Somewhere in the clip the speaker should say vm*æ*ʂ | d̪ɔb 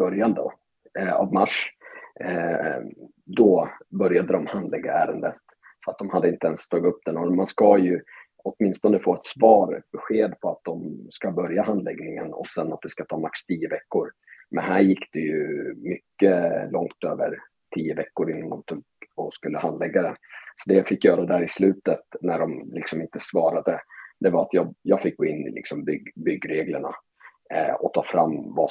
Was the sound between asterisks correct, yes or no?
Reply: no